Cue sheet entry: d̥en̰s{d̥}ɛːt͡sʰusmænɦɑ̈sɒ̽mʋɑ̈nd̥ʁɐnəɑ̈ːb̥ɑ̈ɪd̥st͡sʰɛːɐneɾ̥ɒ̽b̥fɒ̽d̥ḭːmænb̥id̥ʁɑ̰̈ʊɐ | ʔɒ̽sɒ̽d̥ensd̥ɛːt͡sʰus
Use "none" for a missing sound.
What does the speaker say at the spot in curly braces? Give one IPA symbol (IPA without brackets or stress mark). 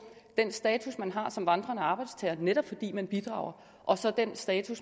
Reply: d̥